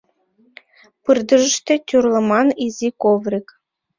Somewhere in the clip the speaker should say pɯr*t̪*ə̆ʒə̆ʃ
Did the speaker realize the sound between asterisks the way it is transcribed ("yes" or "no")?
no